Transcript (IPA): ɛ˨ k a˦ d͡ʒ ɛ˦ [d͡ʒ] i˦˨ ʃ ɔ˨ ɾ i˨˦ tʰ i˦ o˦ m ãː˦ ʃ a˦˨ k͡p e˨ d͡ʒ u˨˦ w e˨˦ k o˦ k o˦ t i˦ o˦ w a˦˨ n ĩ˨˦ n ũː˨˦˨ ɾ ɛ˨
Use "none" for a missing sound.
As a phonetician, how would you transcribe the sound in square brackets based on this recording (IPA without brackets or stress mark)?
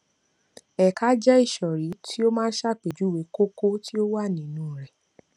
none